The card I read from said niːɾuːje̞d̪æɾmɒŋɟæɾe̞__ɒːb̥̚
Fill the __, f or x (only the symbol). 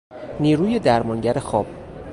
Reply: x